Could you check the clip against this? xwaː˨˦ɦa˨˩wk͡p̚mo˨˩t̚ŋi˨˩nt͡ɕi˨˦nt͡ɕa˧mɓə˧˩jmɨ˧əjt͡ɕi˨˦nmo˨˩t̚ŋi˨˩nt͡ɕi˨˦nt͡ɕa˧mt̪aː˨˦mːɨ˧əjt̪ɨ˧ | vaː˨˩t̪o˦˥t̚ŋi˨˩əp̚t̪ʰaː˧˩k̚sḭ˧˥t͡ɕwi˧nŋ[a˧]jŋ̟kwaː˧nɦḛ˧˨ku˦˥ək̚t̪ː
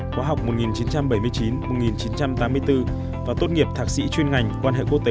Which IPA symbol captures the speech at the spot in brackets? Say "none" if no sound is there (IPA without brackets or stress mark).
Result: a˨˩